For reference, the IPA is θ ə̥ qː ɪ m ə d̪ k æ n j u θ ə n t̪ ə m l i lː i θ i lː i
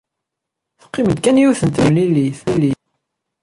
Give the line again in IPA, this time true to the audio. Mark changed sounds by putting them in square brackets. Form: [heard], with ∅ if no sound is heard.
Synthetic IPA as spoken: θ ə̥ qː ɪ m ə d̪ k æ n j u θ ə n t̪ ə m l i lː i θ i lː i